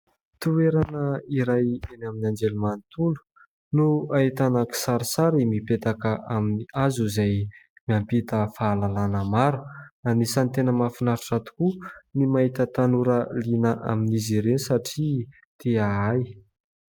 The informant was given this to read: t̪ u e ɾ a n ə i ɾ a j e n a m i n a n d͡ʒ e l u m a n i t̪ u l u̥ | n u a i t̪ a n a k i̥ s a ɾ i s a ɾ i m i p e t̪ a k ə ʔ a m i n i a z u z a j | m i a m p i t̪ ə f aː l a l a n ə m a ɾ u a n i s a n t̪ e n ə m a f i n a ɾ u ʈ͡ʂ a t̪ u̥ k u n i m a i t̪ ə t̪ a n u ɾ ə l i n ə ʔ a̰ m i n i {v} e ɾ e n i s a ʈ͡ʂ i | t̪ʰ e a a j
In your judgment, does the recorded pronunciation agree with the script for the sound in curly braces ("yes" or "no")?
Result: no